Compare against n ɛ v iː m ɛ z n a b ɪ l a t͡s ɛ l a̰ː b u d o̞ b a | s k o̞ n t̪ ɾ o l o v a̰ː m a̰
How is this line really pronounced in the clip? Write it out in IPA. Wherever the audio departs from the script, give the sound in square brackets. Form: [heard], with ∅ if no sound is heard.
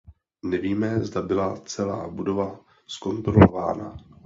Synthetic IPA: n ɛ v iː m ɛ z [d] a b ɪ l a t͡s ɛ l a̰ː b u d o̞ [v] a | s k o̞ n t̪ ɾ o l o v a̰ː [n] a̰